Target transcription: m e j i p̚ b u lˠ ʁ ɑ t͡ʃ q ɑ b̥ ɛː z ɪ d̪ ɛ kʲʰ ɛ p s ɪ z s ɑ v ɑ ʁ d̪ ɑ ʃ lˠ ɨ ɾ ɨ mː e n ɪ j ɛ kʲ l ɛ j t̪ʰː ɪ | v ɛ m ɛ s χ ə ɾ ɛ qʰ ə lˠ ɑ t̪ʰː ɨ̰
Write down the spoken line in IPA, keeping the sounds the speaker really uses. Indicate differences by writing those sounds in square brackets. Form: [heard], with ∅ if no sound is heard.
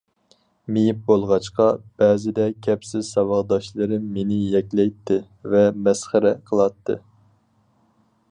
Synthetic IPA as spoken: m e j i p̚ b [o] lˠ ʁ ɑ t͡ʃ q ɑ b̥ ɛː z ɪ d̪ ɛ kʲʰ ɛ p s ɪ z s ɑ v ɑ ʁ d̪ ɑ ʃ lˠ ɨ ɾ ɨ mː e n ɪ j ɛ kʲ l ɛ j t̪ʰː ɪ | v ɛ m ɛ s χ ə ɾ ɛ qʰ ə lˠ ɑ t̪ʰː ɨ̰